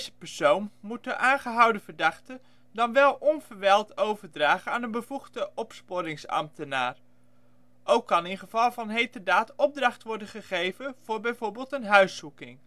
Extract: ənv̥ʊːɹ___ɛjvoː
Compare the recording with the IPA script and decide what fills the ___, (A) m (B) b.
B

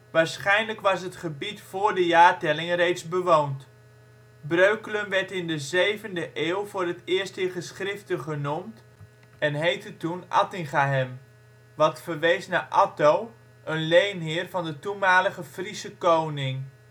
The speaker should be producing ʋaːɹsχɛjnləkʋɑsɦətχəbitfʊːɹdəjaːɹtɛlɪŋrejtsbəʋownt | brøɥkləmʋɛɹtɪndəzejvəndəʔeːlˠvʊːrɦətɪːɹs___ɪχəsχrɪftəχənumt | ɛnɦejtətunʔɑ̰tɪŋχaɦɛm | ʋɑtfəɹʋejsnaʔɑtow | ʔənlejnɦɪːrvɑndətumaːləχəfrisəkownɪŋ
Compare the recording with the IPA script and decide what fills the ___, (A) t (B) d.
A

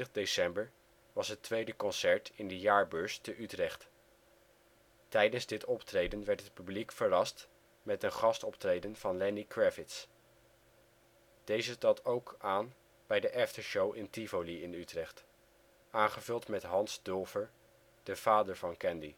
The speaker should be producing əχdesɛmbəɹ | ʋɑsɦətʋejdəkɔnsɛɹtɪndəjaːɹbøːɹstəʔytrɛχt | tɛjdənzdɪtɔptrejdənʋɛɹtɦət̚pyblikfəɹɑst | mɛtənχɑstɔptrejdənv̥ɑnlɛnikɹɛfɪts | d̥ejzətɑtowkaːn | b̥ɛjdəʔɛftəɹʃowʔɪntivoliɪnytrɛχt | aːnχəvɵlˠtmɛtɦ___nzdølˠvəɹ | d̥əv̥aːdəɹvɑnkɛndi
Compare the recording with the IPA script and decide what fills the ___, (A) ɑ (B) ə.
A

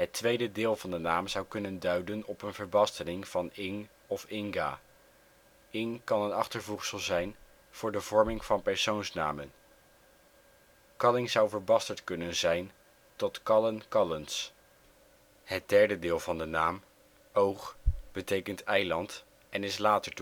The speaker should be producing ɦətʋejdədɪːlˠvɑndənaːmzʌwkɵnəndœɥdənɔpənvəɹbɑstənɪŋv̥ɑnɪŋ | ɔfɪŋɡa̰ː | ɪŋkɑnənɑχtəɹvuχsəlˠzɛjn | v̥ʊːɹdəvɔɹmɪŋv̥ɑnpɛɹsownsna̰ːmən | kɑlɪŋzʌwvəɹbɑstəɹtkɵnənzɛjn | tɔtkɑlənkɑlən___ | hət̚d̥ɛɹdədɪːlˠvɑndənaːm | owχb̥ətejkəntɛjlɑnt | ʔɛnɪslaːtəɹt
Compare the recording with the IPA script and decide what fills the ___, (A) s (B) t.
A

